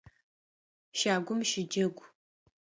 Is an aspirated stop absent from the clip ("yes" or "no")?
yes